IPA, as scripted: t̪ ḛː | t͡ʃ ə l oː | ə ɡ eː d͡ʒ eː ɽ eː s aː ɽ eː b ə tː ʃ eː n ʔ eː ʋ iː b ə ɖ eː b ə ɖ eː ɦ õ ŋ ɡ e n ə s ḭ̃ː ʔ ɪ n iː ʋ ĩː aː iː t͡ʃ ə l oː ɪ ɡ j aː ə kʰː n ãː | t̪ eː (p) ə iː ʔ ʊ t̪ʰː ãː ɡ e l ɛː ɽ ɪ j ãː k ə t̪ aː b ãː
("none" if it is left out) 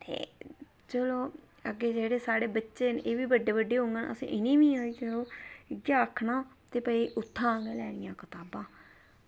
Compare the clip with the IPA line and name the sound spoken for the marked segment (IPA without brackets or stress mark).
p